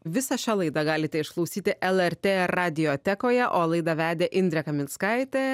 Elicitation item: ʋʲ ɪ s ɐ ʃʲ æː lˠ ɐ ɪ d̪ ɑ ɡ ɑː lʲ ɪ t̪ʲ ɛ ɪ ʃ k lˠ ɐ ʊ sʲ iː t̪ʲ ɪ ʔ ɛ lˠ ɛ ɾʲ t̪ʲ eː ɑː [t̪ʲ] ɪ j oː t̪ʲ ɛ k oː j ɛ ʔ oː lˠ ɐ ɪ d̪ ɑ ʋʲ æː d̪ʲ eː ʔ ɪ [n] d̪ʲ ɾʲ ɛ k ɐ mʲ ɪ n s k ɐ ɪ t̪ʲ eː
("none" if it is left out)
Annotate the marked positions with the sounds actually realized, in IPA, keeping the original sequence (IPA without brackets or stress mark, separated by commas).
d̪ʲ, n